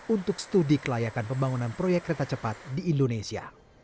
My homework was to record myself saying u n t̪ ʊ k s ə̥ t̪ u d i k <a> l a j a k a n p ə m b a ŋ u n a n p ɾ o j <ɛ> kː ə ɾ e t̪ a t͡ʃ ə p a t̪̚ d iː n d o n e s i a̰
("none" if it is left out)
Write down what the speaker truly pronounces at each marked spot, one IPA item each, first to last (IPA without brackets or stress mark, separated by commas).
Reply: ə, ɛ